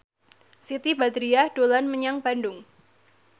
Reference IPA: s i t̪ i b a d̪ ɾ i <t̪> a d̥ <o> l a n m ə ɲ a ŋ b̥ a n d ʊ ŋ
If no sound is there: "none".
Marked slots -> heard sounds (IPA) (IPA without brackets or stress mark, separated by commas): none, o